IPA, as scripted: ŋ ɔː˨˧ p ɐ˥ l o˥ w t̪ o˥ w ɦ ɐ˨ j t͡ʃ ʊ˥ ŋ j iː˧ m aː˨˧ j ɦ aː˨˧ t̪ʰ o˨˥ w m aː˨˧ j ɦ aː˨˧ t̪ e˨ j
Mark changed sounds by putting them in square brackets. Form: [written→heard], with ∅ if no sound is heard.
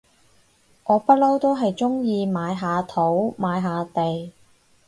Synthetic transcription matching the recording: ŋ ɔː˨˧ p ɐ˥ l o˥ w t̪ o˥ w ɦ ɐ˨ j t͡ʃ ʊ˥ ŋ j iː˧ m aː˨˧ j ɦ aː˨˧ t̪ʰ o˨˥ w m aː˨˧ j ɦ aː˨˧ t̪ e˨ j